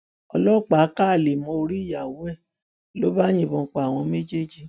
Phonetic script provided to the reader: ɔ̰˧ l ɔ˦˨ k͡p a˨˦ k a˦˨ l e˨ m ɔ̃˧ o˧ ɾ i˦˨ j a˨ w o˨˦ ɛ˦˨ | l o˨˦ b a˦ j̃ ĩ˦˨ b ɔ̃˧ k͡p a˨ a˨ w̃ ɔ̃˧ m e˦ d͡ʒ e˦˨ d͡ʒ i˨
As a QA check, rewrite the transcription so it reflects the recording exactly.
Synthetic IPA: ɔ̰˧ l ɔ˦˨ k͡p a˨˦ k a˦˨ l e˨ m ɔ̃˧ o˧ ɾ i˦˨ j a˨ w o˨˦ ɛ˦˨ | l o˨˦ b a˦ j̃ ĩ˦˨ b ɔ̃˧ k͡p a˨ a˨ w̃ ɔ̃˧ m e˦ d͡ʒ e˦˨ d͡ʒ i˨